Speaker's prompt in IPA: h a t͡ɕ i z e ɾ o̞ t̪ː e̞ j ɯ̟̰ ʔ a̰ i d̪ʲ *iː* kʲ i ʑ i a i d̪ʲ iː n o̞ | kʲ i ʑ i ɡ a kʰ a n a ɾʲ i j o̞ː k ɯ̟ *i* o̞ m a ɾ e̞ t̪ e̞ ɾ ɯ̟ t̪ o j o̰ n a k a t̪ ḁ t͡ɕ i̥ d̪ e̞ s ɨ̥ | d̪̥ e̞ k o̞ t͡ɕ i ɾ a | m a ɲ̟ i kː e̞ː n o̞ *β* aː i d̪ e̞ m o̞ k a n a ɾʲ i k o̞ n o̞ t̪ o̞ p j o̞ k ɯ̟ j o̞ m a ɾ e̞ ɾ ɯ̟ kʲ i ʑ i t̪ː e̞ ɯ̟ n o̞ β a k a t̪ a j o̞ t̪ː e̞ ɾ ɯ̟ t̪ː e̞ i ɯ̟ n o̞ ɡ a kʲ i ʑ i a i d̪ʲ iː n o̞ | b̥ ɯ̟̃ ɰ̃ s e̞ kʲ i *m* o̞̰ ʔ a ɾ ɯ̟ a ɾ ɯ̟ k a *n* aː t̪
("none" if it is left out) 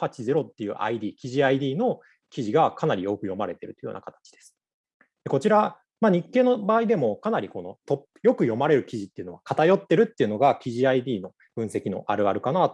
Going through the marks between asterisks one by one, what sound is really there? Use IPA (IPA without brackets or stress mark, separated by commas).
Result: iː, j, b, n, n